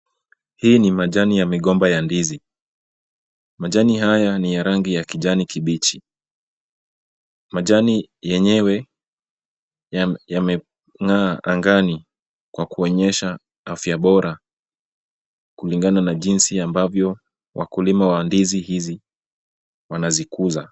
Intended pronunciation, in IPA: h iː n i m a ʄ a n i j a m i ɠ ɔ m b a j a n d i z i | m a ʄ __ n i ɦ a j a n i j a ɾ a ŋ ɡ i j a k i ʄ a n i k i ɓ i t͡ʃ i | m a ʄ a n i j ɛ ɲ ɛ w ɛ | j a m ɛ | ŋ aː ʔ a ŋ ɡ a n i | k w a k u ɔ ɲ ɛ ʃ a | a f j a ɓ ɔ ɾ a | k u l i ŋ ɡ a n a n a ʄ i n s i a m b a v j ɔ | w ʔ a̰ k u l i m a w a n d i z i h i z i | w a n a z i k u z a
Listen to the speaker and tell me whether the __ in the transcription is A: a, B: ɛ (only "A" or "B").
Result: A